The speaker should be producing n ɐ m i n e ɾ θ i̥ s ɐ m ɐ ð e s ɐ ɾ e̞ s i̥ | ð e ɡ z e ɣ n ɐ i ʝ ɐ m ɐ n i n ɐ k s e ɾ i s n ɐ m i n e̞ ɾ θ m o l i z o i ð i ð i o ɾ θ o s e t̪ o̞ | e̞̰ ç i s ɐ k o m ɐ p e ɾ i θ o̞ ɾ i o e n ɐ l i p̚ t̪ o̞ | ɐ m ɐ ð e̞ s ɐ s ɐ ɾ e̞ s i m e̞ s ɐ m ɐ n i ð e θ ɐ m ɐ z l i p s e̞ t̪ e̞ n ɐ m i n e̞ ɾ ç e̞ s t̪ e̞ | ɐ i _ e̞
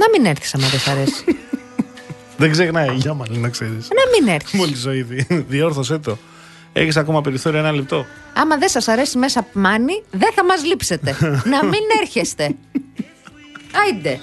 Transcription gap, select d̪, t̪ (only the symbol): d̪